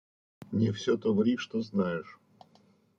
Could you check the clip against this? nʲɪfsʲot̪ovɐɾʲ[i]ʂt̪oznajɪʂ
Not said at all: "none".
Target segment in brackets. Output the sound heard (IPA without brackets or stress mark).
i